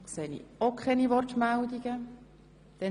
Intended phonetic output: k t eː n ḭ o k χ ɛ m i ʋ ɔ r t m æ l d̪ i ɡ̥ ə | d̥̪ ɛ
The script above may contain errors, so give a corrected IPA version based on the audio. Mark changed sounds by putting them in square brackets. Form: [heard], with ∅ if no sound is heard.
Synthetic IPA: k [s] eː n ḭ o k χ ɛ [n] i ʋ ɔ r t m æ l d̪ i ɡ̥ ə | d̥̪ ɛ